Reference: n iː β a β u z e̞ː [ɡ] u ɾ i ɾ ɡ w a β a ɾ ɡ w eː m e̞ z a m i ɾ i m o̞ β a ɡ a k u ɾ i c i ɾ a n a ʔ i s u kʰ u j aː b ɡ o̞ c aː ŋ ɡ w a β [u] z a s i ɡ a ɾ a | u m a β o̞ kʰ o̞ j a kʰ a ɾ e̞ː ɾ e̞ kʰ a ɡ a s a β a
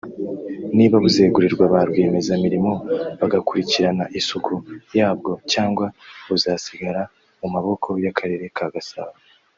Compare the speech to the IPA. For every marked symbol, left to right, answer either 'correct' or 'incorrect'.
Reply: correct, correct

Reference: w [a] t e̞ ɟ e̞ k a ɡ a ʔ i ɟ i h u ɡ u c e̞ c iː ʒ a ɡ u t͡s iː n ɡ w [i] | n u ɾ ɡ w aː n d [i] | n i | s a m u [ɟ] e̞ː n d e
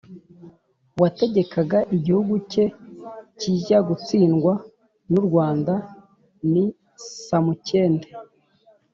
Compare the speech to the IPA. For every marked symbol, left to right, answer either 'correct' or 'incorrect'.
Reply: correct, incorrect, incorrect, incorrect

